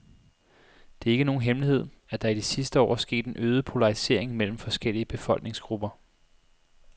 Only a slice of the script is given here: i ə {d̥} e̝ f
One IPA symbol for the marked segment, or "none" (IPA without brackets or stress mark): b̥